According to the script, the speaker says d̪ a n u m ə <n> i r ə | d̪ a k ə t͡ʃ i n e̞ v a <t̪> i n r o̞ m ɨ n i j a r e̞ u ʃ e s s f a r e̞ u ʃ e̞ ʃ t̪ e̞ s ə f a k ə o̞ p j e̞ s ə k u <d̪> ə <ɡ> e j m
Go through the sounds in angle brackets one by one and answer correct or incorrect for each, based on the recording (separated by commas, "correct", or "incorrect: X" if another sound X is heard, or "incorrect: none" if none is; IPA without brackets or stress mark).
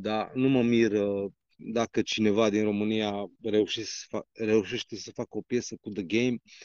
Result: incorrect: m, incorrect: d̪, correct, correct